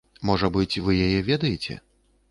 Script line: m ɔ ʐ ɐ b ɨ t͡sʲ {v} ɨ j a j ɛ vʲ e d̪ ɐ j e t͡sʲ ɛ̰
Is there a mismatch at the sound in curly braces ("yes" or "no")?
no